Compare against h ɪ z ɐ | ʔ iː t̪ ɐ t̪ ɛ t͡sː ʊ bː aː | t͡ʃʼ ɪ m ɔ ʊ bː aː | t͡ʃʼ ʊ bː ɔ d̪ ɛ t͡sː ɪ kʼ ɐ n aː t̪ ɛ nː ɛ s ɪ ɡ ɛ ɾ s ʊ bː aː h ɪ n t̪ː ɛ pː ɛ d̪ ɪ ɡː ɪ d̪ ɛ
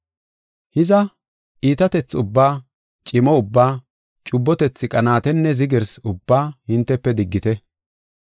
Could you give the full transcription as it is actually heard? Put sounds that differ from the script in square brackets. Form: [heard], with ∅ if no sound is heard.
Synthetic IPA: h ɪ z ɐ | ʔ iː t̪ ɐ t̪ ɛ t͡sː ʊ bː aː | t͡ʃʼ ɪ m ɔ ʊ bː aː | t͡ʃʼ ʊ bː ɔ [t̪] ɛ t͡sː ɪ kʼ ɐ n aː t̪ ɛ nː ɛ [z] ɪ ɡ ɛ ɾ s ʊ bː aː h ɪ n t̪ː ɛ pː ɛ d̪ ɪ ɡː ɪ [t̪] ɛ